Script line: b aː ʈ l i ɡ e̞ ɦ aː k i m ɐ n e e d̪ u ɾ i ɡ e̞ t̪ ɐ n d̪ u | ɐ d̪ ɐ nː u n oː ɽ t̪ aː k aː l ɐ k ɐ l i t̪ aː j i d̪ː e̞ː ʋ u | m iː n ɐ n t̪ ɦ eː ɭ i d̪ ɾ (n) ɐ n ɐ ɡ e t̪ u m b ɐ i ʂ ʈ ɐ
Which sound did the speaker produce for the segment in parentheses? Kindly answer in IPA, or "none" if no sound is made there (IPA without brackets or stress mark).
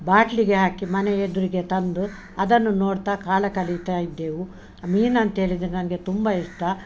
n